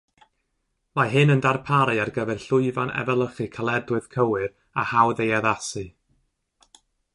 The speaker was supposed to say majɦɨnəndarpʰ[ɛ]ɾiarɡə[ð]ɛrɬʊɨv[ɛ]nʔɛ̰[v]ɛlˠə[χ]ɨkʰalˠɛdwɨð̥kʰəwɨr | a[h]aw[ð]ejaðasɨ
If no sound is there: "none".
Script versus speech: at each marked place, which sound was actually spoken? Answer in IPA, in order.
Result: a, v, a, v, χ, h, ð

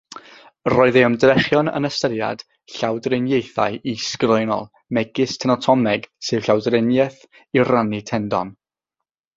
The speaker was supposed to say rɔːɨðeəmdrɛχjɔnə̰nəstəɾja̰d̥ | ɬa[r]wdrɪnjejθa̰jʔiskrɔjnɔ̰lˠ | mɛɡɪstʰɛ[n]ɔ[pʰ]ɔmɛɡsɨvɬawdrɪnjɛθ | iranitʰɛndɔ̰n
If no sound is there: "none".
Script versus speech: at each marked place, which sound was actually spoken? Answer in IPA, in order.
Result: none, n, tʰ

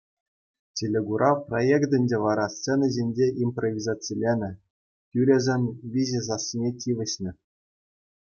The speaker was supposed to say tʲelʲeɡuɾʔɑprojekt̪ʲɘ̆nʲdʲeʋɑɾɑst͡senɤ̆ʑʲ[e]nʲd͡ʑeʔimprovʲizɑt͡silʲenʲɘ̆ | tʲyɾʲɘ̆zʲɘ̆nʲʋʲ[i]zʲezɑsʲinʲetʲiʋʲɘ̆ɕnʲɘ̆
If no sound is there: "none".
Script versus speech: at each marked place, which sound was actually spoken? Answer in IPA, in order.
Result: e, i

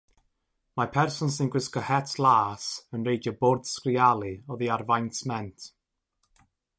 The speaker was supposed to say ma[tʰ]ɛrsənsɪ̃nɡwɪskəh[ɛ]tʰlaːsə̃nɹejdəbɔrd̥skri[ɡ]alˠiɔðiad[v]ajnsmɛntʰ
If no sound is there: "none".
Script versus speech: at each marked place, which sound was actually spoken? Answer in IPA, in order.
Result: pʰ, ɛ, none, v

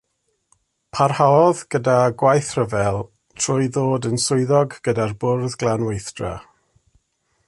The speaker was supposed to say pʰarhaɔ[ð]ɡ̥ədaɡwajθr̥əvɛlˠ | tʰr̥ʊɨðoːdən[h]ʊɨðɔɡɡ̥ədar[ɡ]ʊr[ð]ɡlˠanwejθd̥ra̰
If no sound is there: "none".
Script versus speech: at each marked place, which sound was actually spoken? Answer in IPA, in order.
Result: ð, s, b, ð

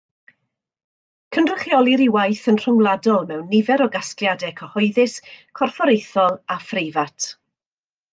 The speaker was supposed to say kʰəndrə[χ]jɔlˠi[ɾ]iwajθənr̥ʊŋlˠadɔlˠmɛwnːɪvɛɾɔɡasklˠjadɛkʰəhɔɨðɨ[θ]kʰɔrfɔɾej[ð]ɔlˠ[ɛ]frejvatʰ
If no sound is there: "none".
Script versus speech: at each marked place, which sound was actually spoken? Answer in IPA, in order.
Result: χ, ɾ, s, θ, a

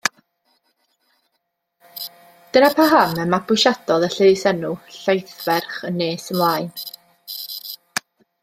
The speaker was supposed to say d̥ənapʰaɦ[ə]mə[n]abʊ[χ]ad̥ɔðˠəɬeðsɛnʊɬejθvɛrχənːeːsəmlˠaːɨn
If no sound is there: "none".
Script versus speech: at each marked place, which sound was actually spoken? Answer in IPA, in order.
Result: a, m, ʃ

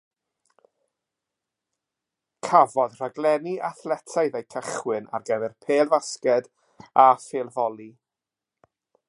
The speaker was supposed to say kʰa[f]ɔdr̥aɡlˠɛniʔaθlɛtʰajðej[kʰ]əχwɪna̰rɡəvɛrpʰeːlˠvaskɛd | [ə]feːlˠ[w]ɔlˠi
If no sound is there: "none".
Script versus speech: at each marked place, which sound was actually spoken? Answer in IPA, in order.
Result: v, kʰ, a, v

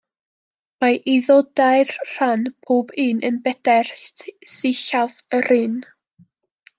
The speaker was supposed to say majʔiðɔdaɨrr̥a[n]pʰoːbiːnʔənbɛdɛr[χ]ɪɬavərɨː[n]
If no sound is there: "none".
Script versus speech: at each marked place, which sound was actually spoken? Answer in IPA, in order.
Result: n, s, n

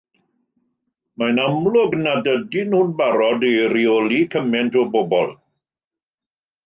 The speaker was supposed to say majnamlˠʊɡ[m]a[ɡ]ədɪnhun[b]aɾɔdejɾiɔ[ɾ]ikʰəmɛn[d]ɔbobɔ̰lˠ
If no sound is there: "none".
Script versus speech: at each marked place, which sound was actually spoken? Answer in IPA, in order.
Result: n, d, b, l, t

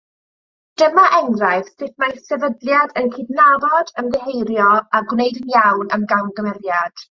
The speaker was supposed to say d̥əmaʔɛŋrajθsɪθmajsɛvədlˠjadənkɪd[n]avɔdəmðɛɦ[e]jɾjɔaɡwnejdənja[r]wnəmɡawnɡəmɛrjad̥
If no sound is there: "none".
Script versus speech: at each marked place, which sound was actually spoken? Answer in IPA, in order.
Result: n, e, none

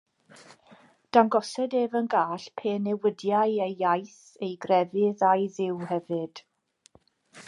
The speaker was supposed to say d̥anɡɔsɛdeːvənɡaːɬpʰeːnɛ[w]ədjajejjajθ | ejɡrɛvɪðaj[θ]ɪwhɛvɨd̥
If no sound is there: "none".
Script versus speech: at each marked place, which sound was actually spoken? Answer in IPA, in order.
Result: w, ð

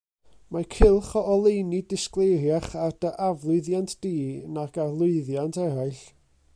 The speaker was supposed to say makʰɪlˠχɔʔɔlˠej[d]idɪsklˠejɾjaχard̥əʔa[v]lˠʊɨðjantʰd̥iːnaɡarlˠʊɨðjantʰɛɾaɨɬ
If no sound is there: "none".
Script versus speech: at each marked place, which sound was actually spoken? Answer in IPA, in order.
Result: n, v

